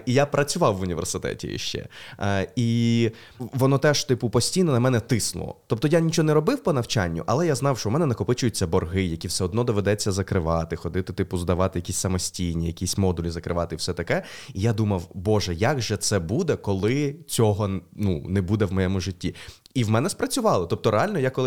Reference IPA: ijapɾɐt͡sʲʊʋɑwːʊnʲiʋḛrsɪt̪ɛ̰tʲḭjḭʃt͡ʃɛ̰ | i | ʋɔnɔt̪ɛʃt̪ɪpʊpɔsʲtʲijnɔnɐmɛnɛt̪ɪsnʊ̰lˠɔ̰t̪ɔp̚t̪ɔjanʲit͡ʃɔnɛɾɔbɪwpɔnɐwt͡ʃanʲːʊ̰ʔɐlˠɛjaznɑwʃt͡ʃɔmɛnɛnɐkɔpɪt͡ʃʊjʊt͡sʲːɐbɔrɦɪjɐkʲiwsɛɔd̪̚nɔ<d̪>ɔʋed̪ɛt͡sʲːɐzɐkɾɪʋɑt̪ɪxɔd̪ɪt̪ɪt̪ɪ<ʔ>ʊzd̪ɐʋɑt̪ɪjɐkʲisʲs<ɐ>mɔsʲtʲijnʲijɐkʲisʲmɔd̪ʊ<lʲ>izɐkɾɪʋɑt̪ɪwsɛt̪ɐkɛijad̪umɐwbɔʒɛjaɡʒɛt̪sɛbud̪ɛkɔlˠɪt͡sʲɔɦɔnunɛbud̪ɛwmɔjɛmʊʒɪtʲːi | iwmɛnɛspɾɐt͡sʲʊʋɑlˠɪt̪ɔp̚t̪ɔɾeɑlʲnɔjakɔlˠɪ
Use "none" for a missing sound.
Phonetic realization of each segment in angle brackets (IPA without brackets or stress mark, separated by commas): d̪, p, ɐ, lʲ